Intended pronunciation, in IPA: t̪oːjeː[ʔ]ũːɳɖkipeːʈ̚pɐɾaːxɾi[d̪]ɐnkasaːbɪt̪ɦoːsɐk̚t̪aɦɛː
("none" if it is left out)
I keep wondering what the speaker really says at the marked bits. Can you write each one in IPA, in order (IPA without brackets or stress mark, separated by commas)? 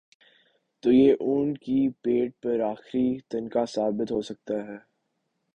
ʔ, t̪